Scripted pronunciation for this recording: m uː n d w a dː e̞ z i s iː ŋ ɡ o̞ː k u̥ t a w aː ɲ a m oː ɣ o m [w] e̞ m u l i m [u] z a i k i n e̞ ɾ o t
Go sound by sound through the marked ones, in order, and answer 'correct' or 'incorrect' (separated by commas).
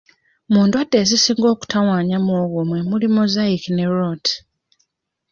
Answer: correct, incorrect